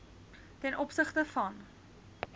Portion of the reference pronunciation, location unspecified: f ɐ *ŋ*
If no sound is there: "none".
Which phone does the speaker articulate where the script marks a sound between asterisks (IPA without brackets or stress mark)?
n